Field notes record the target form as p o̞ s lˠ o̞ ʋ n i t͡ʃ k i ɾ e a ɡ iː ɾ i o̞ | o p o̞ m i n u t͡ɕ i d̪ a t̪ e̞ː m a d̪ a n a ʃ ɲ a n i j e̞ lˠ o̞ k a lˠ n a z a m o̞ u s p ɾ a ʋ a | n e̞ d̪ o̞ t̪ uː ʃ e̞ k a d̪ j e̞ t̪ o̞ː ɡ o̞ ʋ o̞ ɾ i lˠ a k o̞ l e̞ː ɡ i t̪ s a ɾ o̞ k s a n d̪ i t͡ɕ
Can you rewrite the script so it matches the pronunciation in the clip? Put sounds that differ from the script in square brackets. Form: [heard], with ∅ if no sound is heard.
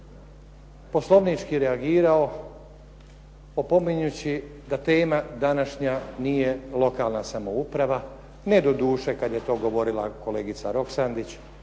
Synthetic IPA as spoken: p o̞ s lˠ o̞ ʋ n i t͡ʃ k i ɾ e a ɡ iː ɾ [a] o̞ | o p o̞ m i [ɲ] u t͡ɕ i d̪ a t̪ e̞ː m a d̪ a n a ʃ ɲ a n i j e̞ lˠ o̞ k a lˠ n a [s] a m o̞ u [∅] p ɾ a ʋ a | n e̞ d̪ o̞ [d̪] uː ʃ e̞ k a d̪ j e̞ t̪ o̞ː ɡ o̞ ʋ o̞ ɾ i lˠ a k o̞ l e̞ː ɡ i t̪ s a ɾ o̞ k s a n d̪ i t͡ɕ